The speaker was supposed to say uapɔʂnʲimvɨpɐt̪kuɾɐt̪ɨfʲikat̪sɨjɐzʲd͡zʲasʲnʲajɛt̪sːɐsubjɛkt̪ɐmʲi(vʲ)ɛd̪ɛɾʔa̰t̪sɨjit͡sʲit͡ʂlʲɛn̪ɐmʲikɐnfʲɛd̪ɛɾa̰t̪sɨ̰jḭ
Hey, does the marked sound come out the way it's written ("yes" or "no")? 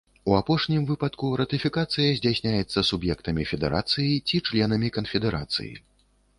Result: no